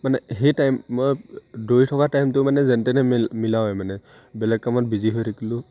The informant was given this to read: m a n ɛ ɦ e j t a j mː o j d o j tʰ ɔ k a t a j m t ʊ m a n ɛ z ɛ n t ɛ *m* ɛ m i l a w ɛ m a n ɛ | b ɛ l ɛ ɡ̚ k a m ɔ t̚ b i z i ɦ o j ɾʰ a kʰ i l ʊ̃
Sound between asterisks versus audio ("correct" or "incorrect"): incorrect